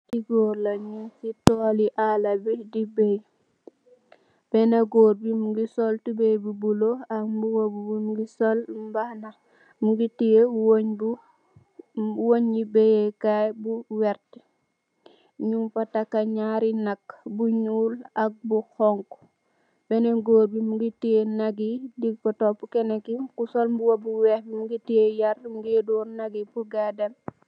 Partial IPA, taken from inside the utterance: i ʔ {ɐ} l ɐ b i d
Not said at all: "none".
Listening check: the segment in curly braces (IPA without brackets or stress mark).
a